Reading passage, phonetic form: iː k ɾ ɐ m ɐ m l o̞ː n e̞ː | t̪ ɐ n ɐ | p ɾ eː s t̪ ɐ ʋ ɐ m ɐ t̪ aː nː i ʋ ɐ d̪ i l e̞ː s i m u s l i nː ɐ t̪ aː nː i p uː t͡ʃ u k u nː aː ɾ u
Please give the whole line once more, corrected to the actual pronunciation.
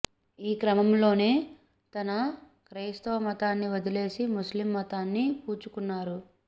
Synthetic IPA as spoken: iː k ɾ ɐ m ɐ m l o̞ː n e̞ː | t̪ ɐ n ɐ | k ɾ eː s t̪ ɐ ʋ ɐ m ɐ t̪ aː nː i ʋ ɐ d̪ i l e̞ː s i m u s l i mː ɐ t̪ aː nː i p uː t͡ʃ u k u nː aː ɾ u